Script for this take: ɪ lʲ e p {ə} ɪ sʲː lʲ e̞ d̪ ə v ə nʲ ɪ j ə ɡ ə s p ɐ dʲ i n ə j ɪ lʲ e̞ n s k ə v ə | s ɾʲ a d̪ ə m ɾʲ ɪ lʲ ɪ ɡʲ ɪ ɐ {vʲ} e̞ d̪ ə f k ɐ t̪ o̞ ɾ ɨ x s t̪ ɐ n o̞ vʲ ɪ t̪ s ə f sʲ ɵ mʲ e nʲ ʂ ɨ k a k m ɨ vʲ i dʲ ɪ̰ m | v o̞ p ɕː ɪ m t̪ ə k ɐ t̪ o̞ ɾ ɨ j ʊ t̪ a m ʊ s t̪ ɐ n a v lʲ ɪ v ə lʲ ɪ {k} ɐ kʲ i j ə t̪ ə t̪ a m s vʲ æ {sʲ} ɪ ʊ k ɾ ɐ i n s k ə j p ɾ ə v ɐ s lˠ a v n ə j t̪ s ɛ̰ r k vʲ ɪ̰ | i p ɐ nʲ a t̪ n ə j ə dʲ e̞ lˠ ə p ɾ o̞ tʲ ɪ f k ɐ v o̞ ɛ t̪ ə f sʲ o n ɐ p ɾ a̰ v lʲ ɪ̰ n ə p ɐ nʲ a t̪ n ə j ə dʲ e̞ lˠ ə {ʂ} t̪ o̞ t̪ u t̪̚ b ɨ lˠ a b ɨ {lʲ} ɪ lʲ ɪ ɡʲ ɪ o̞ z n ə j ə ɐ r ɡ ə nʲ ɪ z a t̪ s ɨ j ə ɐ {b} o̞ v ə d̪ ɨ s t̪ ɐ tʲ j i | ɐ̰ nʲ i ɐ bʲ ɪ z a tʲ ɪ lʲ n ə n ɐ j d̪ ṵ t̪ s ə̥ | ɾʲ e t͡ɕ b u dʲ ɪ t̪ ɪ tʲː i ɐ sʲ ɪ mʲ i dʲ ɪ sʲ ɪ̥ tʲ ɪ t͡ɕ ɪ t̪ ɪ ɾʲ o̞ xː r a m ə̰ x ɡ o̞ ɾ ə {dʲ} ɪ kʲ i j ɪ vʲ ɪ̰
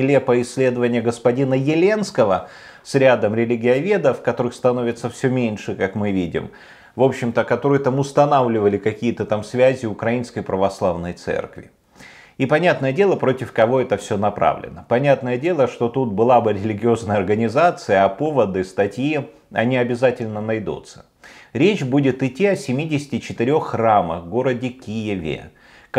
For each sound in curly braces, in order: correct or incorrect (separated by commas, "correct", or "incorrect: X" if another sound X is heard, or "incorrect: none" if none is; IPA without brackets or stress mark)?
correct, correct, correct, incorrect: zʲ, correct, incorrect: ɾʲ, incorrect: p, correct